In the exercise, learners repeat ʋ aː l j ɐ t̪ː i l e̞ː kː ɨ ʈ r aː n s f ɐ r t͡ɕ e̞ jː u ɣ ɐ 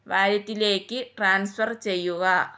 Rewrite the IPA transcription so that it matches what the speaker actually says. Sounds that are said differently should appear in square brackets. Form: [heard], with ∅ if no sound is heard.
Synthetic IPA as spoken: ʋ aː [ɾ] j ɐ t̪ː i l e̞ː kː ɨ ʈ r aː n s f ɐ r t͡ɕ e̞ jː u ɣ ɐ